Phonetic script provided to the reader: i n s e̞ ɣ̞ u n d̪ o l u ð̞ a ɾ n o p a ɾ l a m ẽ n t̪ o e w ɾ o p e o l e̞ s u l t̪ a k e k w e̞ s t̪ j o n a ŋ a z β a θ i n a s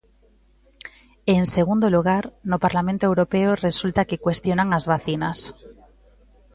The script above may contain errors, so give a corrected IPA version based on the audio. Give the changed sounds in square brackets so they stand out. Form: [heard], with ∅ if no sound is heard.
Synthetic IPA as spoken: [e] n s e̞ ɣ̞ u n d̪ o l u [ɣ̞] a ɾ n o p a ɾ l a m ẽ n t̪ o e w ɾ o p e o [r] e̞ s u l t̪ a k e k w e̞ s t̪ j o n a ŋ a z β a θ i n a s